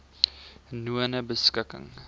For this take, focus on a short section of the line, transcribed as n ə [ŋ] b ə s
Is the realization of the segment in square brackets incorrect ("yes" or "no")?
yes